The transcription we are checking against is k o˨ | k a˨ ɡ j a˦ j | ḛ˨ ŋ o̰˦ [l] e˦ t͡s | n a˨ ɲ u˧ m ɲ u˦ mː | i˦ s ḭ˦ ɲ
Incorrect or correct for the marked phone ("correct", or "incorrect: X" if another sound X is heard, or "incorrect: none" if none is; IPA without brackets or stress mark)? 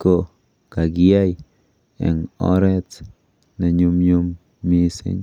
incorrect: ɾ